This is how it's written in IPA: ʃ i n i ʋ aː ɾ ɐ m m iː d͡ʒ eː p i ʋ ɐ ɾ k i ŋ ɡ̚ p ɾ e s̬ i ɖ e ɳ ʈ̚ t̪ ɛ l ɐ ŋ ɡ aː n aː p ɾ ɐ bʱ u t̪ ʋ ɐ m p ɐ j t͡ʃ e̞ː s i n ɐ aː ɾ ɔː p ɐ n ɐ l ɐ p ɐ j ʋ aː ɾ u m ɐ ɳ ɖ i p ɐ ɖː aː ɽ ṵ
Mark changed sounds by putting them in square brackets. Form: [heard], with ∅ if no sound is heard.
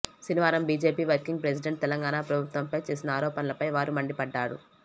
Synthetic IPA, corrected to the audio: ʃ i n i ʋ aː ɾ ɐ m [b] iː d͡ʒ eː p [iː] ʋ ɐ ɾ k i ŋ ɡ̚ p ɾ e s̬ i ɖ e ɳ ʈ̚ t̪ ɛ l ɐ ŋ ɡ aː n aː p ɾ ɐ bʱ u t̪ ʋ ɐ m p ɐ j t͡ʃ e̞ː s i n ɐ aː ɾ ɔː p ɐ n ɐ l ɐ p ɐ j ʋ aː ɾ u m ɐ ɳ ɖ i p ɐ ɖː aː ɽ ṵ